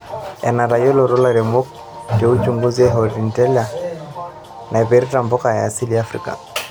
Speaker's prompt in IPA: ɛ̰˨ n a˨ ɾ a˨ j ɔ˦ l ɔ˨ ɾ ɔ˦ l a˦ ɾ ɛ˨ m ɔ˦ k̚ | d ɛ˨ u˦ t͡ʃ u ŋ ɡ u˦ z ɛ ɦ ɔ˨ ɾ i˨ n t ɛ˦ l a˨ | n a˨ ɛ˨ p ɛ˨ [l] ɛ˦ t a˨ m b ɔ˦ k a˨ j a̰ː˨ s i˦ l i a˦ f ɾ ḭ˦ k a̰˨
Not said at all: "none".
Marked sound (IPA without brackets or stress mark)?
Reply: ɾ